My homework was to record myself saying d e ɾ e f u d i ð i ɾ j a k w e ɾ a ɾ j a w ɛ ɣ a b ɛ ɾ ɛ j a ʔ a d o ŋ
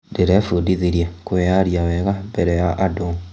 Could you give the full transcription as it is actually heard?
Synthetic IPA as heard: d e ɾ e f u d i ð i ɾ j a k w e a ɾ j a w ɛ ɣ a b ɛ ɾ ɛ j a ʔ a d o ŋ